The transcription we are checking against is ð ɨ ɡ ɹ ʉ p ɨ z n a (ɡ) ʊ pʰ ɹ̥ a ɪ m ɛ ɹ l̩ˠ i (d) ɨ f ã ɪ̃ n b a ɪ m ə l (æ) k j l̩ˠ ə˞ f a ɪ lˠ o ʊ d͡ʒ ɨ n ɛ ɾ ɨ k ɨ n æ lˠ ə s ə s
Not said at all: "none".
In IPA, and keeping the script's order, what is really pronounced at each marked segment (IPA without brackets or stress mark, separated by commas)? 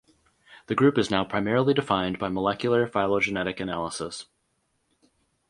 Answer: none, d, ɛ